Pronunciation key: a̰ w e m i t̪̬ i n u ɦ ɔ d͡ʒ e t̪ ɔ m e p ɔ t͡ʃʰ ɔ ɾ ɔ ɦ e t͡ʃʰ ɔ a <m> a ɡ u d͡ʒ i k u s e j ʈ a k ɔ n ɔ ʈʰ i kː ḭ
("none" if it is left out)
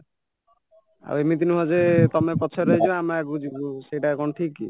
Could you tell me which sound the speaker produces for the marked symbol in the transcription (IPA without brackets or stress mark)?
m